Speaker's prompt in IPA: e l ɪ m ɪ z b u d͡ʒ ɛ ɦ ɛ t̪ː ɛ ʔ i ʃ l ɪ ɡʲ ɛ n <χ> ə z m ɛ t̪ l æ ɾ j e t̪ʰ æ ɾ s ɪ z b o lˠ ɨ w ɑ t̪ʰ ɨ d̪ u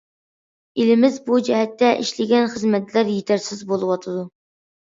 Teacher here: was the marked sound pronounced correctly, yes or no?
yes